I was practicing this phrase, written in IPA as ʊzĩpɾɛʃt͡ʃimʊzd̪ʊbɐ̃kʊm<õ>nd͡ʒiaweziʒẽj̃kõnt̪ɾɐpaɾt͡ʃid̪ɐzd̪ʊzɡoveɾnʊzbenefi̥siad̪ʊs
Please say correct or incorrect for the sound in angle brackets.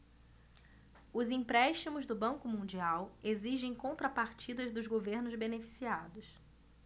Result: incorrect